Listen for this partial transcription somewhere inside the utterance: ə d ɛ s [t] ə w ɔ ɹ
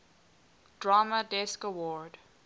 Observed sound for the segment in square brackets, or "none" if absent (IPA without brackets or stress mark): k